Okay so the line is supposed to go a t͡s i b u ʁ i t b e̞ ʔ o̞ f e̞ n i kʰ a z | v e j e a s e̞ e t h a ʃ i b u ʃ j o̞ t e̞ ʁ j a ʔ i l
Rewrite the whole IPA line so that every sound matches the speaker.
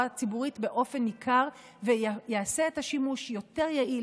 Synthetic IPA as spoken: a t͡s i b u ʁ i t b e̞ ʔ o̞ f e̞ n i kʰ a ʁ | v e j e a s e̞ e t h a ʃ i m u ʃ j o̞ t e̞ ʁ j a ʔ i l